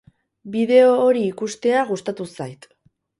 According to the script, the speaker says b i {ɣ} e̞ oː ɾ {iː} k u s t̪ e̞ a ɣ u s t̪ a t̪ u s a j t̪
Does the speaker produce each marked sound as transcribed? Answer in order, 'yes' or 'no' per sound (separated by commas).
no, yes